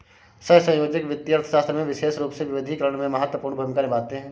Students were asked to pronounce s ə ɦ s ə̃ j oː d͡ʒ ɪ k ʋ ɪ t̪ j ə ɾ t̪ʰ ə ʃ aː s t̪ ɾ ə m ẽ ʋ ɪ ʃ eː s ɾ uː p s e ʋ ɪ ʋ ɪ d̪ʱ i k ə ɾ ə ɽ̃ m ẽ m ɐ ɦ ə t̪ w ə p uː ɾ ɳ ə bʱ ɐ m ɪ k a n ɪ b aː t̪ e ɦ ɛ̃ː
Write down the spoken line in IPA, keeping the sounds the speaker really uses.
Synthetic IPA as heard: s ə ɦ s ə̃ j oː d͡ʒ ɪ k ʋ ɪ t̪ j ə ɾ t̪ʰ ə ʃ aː s t̪ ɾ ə m ẽ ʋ ɪ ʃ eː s ɾ uː p s e ʋ ɪ ʋ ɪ d̪ʱ i k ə ɾ ə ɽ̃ m ẽ m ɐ ɦ ə t̪ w ə p uː ɾ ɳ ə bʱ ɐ m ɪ k a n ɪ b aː t̪ e ɦ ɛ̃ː